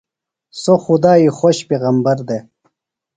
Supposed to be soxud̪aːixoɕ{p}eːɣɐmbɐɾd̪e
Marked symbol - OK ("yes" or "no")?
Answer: yes